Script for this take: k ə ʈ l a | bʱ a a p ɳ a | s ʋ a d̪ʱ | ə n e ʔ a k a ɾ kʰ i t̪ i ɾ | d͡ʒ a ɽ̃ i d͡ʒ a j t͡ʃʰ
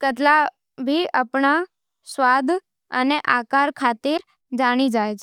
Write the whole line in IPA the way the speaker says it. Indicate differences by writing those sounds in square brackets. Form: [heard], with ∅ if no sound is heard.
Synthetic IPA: k ə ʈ l a | bʱ [i] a p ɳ a | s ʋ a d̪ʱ | ə n e ʔ a k a ɾ kʰ [a] t̪ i ɾ | d͡ʒ a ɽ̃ i d͡ʒ a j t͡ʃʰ